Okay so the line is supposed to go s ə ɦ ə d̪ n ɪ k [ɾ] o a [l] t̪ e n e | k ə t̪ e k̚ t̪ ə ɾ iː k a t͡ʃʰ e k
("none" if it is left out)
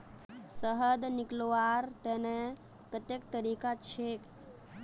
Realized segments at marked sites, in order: l, ɾ

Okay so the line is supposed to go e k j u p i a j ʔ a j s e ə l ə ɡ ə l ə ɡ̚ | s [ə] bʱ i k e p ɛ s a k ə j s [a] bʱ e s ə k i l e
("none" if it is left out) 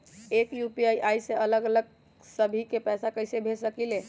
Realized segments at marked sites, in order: ə, e

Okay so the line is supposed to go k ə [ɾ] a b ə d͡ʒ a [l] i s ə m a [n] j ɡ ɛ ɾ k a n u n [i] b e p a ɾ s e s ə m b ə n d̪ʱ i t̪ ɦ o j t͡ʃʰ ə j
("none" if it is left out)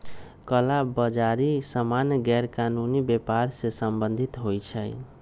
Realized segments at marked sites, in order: l, ɾ, n, i

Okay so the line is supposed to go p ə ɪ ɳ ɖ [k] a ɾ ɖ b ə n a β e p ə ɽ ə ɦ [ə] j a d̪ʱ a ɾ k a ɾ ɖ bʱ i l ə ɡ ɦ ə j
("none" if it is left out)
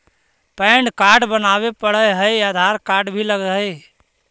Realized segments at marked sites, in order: k, ə

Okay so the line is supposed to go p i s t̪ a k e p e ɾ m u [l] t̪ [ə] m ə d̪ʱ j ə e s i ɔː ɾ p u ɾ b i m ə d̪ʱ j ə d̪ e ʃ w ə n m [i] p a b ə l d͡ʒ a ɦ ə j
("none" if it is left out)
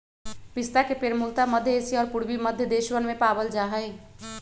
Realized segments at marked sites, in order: l, a, e

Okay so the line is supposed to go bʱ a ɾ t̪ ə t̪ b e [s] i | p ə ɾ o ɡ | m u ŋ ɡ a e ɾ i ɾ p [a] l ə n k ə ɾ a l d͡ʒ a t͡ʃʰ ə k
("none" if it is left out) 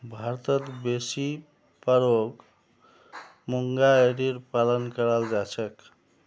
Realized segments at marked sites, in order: s, a

